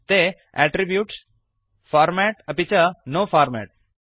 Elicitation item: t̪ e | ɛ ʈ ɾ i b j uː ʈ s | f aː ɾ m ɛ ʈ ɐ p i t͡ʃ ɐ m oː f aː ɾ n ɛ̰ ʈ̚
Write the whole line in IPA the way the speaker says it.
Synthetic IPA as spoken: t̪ e | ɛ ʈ ɾ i b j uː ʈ s | f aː ɾ m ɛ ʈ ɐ p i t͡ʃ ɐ n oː f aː ɾ m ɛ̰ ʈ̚